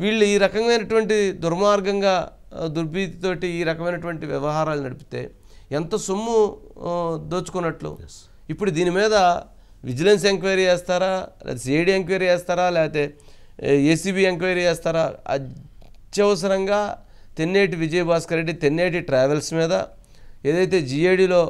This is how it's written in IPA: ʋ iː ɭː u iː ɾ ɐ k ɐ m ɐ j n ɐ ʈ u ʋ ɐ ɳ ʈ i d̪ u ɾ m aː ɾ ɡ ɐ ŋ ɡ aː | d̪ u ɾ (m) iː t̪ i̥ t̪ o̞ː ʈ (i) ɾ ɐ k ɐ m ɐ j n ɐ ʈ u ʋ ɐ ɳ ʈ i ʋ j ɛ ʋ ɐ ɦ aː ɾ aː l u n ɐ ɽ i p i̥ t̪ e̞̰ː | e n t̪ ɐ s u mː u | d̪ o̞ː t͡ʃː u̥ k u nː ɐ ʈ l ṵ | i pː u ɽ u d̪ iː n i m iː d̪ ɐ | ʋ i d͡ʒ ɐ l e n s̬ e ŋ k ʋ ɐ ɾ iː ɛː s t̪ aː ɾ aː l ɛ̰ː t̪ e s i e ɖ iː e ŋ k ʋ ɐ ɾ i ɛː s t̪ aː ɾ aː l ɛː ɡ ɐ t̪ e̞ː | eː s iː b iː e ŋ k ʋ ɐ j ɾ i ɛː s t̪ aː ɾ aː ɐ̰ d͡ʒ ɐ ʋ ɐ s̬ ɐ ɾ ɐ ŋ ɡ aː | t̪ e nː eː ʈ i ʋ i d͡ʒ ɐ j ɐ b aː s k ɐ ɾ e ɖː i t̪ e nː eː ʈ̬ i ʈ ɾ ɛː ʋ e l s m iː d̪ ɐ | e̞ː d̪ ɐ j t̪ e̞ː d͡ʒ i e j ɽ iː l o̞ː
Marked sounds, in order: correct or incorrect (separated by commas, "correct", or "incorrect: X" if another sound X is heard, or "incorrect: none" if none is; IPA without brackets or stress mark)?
incorrect: b, incorrect: iː